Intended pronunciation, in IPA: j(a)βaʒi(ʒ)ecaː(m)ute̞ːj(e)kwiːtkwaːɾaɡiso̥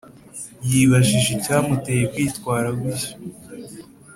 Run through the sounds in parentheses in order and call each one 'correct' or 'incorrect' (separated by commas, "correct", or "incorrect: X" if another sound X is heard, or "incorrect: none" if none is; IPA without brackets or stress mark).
incorrect: i, correct, correct, correct